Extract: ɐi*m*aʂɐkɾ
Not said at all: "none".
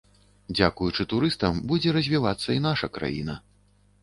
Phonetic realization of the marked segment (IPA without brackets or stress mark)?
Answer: n